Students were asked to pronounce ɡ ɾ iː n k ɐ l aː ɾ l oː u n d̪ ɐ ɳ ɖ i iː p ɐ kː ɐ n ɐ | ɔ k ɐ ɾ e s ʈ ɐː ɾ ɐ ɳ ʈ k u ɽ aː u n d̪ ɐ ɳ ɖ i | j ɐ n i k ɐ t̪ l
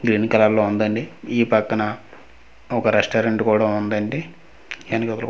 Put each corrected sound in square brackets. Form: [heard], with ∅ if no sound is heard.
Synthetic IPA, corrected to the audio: ɡ ɾ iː n k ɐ l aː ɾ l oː u n d̪ ɐ ɳ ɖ i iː p ɐ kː ɐ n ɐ | ɔ k ɐ ɾ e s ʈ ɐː ɾ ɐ ɳ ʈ k [uː] ɽ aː u n d̪ ɐ ɳ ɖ i | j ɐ n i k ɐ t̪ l